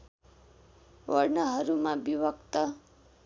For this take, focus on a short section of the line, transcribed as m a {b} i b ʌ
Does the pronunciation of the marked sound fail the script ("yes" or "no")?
no